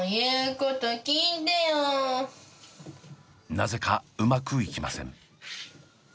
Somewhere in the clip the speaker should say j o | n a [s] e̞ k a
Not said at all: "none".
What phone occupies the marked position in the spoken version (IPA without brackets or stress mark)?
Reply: z